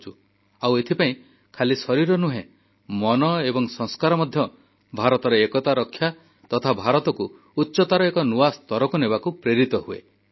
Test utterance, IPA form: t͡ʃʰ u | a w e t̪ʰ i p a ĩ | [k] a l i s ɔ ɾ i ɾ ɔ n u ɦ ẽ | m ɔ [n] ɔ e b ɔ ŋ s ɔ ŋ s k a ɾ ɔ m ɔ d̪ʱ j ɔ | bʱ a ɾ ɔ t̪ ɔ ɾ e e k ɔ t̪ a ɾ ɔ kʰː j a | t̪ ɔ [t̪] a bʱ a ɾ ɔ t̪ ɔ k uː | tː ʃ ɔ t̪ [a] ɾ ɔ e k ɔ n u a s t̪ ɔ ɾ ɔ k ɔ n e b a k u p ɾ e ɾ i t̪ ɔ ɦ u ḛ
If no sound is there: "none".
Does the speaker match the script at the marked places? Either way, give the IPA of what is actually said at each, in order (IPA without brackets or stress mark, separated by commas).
kʰ, n, t̪ʰ, a